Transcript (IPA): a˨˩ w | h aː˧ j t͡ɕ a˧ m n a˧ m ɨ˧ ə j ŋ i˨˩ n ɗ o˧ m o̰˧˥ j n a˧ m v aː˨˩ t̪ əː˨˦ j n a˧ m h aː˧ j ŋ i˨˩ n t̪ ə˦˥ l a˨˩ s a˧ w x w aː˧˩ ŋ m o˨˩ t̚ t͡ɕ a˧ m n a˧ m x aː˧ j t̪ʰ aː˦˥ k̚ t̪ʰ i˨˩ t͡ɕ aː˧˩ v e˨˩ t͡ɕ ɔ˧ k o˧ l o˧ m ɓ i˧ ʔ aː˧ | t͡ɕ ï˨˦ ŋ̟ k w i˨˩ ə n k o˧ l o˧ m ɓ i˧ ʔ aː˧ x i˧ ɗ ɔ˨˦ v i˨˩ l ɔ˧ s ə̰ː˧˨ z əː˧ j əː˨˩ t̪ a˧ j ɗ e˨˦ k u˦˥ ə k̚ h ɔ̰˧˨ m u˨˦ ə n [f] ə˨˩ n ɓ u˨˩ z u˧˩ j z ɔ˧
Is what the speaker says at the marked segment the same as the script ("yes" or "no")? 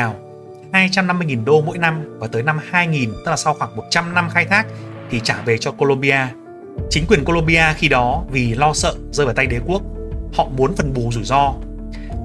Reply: yes